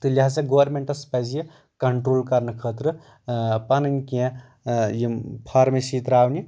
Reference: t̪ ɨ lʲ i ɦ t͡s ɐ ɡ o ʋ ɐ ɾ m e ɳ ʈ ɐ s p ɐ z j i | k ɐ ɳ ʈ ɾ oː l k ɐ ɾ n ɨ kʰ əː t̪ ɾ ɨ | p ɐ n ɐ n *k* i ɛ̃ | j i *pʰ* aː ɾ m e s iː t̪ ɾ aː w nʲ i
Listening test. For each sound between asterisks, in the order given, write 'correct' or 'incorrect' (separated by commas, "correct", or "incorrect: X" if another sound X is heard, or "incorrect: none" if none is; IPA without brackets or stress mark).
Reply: correct, correct